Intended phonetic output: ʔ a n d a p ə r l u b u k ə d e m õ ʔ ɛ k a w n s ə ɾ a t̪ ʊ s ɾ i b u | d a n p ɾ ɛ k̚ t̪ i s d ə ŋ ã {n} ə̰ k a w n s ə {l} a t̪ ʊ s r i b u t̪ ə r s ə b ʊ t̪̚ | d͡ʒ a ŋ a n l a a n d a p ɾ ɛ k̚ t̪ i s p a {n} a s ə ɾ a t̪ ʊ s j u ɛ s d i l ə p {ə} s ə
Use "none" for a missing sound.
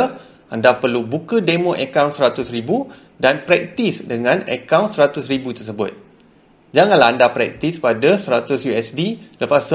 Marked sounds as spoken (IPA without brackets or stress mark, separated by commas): n, ɾ, d, a